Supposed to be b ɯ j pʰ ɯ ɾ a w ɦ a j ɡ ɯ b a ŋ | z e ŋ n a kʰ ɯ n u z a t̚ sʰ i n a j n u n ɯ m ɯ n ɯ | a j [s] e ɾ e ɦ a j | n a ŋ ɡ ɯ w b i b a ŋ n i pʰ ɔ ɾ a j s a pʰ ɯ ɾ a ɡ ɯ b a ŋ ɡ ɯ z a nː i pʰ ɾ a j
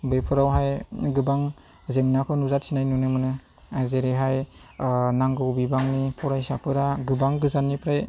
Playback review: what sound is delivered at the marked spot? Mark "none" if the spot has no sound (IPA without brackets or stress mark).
z